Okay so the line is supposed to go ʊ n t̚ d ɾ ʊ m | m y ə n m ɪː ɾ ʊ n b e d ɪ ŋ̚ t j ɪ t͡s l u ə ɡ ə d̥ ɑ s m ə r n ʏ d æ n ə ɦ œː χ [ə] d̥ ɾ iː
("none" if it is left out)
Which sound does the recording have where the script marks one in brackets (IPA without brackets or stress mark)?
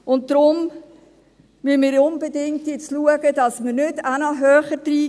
ə